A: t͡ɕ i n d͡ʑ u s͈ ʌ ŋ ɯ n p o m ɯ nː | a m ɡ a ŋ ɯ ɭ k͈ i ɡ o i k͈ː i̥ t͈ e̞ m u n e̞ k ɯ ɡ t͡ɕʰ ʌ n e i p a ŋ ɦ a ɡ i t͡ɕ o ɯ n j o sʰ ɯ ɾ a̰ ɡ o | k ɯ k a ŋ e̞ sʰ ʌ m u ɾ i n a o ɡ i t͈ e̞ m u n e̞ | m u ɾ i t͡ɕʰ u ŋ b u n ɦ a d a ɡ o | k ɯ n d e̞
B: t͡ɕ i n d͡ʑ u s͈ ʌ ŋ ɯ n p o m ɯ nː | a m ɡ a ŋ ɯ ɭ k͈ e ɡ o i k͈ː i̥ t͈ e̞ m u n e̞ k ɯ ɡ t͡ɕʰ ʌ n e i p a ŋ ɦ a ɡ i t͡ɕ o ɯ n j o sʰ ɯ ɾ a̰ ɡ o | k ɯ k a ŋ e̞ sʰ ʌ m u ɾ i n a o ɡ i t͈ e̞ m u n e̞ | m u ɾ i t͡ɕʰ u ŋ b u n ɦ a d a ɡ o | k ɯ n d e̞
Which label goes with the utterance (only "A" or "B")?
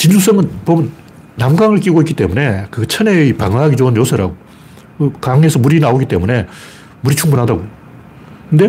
A